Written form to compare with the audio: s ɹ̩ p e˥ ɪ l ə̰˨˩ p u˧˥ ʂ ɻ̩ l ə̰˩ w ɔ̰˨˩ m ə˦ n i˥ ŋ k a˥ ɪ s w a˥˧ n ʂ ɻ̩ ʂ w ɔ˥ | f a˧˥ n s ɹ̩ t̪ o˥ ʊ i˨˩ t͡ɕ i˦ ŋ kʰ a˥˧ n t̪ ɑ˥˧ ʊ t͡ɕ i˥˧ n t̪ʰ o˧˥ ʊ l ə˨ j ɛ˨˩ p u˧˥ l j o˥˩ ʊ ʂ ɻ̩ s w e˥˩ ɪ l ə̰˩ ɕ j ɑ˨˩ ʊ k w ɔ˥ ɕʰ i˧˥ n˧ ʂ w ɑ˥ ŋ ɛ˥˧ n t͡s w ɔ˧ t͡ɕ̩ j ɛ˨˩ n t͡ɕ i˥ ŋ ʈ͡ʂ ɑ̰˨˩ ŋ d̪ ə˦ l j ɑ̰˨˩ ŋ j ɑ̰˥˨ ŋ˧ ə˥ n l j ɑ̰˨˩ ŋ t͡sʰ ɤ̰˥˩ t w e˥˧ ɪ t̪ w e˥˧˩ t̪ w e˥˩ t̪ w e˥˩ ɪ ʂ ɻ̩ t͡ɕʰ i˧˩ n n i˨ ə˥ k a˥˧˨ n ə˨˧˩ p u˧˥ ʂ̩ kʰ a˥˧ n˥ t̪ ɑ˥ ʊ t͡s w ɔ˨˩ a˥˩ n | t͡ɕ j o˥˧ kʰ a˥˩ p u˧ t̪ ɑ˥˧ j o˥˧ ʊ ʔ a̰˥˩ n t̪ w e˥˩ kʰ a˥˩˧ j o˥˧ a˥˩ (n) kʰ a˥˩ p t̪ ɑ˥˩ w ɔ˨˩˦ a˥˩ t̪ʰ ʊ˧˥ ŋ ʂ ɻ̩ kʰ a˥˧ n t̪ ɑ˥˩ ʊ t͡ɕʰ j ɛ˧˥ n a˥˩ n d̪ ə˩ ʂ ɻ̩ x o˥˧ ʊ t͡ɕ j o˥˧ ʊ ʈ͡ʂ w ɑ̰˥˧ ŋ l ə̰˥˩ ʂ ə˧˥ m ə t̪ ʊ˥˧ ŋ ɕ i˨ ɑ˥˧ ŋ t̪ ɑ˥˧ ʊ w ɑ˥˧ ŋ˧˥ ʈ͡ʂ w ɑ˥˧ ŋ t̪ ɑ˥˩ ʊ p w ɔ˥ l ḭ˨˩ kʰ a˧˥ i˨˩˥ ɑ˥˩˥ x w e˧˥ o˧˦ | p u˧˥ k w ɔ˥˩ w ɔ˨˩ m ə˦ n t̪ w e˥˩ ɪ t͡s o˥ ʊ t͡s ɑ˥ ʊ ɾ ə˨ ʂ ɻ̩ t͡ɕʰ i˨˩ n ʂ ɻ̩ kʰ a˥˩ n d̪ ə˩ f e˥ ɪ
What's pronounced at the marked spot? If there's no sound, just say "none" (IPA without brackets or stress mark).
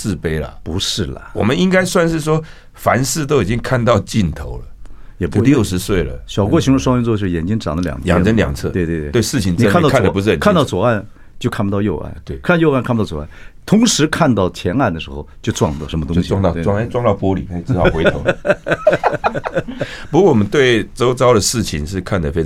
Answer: n